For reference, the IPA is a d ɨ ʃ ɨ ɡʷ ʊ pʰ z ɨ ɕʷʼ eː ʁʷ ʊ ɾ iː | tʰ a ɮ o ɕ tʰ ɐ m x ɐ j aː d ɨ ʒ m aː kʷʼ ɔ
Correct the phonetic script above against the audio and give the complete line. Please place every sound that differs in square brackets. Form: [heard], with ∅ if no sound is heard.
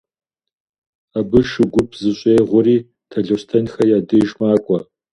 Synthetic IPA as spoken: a [b] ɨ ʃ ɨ ɡʷ ʊ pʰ z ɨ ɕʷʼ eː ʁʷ ʊ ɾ iː | tʰ [ɐ] ɮ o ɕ tʰ ɐ [n] x ɐ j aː d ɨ ʒ m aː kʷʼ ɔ